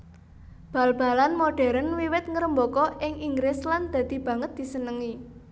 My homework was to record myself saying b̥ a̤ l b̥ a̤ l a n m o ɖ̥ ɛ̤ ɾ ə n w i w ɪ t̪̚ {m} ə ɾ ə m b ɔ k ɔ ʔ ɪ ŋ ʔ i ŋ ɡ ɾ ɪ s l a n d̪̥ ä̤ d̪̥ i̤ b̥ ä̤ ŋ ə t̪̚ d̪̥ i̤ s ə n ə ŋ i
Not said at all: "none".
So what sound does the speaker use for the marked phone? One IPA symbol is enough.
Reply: ŋ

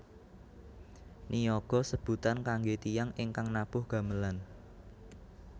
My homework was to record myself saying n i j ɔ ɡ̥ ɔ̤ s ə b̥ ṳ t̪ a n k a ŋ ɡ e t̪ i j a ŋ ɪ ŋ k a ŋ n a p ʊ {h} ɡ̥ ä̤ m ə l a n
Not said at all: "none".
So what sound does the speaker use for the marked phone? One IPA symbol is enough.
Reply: h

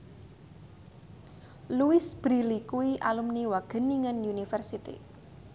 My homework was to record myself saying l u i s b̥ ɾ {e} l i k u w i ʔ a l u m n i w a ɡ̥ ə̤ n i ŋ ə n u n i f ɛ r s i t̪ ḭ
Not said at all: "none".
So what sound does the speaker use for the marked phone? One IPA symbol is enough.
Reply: i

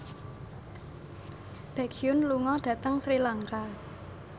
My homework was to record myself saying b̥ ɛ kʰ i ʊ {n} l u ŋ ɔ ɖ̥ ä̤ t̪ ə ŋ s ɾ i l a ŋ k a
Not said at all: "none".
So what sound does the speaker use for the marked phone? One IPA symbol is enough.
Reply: n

